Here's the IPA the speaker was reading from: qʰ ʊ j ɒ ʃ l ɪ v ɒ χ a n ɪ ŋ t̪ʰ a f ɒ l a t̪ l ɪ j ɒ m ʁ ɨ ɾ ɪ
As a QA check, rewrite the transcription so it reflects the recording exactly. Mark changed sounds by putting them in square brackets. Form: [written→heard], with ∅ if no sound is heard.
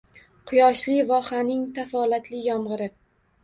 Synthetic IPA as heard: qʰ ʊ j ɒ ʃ l ɪ v ɒ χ a n ɪ ŋ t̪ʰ a f ɒ l a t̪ l ɪ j ɒ m ʁ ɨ ɾ ɪ

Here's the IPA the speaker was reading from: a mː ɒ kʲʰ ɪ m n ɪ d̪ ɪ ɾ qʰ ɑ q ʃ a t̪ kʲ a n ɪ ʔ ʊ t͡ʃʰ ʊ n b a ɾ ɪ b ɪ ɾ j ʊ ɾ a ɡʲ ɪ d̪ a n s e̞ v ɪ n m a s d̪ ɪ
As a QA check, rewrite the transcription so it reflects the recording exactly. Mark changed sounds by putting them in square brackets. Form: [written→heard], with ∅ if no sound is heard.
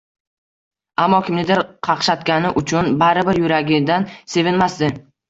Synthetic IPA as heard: a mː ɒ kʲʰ ɪ m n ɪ d̪ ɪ ɾ qʰ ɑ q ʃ a t̪ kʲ a n ɪ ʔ ʊ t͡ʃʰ ʊ n b a ɾ ɪ b ɪ ɾ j ʊ ɾ a ɡʲ ɪ d̪ a n s e̞ v ɪ n m a s d̪ ɪ

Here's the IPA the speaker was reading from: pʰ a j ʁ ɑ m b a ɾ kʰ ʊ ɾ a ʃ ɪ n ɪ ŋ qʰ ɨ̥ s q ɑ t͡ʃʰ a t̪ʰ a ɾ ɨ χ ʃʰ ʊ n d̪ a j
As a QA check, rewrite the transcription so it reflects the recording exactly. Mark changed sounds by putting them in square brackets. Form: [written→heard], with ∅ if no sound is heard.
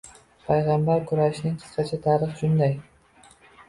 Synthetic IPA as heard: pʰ a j ʁ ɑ m b a ɾ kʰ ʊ ɾ a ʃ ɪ n ɪ ŋ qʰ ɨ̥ s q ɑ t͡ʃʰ a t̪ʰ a ɾ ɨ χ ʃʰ ʊ n d̪ a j

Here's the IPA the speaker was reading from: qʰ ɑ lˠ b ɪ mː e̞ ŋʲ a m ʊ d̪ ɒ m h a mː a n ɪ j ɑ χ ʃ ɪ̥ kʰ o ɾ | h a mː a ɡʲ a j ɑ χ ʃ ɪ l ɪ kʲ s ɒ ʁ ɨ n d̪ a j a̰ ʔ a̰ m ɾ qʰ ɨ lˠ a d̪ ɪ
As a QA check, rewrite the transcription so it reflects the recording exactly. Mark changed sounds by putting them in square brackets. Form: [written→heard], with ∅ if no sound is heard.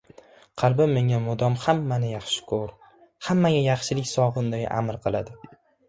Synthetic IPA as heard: qʰ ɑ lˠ b ɪ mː e̞ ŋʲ a m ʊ d̪ ɒ m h a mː a n ɪ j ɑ χ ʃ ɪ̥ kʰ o ɾ | h a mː a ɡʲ a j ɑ χ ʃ ɪ l ɪ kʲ s ɒ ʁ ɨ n d̪ a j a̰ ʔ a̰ m ɾ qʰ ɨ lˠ a d̪ ɪ

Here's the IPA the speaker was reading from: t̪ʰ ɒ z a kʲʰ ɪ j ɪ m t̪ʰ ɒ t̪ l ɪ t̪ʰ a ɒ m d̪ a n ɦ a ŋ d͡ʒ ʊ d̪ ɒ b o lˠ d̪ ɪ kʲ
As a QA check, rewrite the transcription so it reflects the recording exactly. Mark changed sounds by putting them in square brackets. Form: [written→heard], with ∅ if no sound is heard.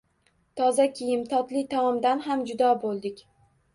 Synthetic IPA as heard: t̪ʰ ɒ z a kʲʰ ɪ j ɪ m t̪ʰ ɒ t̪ l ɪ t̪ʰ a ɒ m d̪ a n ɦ a [ŋ→m] d͡ʒ ʊ d̪ ɒ b o lˠ d̪ ɪ kʲ

